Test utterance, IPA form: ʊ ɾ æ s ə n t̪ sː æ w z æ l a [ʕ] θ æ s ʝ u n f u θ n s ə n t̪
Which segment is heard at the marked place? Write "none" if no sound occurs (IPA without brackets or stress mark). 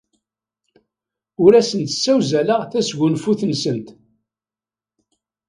ʁ